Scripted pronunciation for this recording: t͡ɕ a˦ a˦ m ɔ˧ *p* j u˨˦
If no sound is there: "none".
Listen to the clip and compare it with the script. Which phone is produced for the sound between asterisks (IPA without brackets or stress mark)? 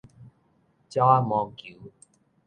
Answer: k